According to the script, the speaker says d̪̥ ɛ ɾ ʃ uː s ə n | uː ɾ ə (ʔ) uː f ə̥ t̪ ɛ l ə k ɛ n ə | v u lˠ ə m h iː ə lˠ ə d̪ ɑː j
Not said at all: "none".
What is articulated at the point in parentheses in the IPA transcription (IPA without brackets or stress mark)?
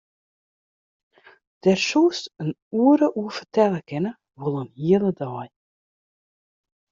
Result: ʔ